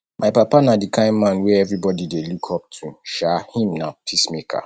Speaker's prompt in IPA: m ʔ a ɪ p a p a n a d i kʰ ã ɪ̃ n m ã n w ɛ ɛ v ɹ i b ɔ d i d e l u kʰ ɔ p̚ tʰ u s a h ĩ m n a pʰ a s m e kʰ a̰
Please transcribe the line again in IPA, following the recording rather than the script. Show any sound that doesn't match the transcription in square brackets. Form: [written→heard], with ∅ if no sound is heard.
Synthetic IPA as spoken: m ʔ a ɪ p a p a n a d i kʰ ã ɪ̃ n m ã n w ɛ ɛ v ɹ i b ɔ d i d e l u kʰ ɔ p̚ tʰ u [s→ʃ] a h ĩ m n a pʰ [a→i] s m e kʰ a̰